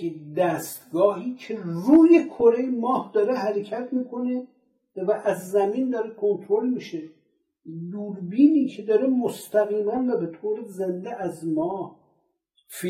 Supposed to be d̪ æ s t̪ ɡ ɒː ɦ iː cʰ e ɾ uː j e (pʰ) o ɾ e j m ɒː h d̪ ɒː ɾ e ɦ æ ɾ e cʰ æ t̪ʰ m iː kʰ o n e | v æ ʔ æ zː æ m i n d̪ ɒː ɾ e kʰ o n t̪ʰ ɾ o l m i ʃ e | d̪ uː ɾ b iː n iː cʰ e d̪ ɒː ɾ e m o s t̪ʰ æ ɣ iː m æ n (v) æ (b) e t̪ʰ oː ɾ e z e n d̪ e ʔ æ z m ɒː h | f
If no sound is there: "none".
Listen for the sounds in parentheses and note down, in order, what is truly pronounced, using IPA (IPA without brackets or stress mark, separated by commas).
kʰ, v, b